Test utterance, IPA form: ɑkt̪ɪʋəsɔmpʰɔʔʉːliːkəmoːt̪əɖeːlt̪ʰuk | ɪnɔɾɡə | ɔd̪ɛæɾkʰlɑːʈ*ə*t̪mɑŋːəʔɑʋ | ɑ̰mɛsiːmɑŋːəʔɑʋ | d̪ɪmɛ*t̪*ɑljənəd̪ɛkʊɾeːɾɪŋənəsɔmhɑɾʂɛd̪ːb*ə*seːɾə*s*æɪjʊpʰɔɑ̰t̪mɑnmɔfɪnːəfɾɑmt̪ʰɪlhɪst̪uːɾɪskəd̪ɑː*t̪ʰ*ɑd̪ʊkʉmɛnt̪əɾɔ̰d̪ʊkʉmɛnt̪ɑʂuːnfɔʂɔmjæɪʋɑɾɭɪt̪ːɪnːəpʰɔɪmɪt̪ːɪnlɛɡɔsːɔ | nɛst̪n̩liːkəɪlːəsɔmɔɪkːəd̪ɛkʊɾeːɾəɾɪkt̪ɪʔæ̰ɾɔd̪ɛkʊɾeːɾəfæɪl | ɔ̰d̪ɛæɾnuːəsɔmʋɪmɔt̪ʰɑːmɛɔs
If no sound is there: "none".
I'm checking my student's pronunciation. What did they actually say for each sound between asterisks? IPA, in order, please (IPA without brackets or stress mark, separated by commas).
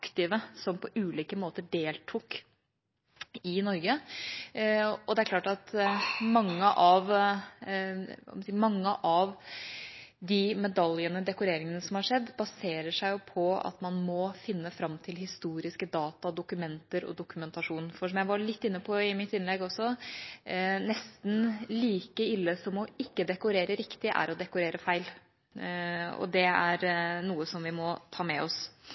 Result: ɑ, d̪, ɑ, ʂ, t̪